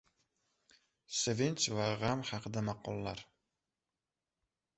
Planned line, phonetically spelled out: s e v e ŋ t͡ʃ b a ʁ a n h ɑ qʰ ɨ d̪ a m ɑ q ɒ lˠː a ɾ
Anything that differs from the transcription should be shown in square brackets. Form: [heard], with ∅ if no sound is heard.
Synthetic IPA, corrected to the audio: s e v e [n] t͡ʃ [v] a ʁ a [m] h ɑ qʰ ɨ d̪ a m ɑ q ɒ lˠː a ɾ